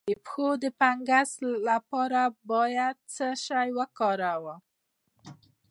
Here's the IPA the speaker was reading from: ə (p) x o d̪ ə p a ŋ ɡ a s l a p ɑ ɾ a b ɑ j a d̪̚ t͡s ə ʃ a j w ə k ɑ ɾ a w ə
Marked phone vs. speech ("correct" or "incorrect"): correct